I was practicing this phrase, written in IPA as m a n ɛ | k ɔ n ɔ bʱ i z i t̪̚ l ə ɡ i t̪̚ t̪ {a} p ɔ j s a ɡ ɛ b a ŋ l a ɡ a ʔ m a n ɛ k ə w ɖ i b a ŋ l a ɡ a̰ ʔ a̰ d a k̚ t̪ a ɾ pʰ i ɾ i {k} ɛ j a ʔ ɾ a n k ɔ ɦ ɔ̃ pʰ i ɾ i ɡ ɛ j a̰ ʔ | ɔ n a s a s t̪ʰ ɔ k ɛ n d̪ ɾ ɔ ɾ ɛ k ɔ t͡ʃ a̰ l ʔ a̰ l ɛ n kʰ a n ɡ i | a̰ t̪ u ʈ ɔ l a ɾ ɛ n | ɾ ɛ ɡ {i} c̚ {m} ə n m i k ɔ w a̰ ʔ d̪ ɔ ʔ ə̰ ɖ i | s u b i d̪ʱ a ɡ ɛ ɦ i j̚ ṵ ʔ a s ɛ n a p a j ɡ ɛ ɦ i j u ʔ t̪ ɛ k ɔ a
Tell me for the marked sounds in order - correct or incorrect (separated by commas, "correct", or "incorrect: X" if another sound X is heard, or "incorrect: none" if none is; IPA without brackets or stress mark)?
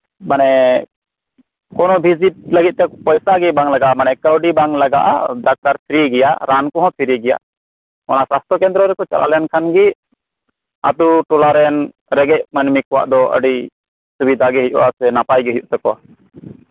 incorrect: ɛ, incorrect: ɡ, incorrect: ɛ, correct